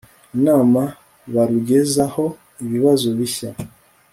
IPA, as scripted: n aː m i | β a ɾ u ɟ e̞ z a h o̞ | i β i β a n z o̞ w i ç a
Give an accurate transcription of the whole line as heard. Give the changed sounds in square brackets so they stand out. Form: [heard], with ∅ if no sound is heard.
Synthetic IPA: n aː m [a] | β a ɾ u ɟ e̞ z a h o̞ | i β i β a [∅] z o̞ [β] i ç a